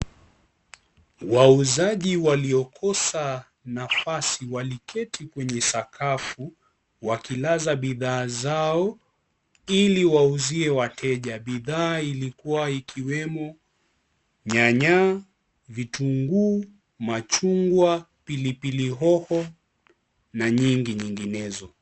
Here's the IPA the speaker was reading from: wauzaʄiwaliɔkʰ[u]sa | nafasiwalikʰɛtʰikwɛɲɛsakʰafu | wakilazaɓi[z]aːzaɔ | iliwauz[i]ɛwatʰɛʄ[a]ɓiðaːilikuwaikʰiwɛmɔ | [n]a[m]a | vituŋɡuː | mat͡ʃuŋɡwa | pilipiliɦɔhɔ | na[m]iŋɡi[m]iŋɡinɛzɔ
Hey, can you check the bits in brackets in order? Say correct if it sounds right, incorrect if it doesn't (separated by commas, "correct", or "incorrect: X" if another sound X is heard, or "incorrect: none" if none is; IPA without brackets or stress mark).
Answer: incorrect: ɔ, incorrect: ð, correct, correct, incorrect: ɲ, incorrect: ɲ, incorrect: ɲ, incorrect: ɲ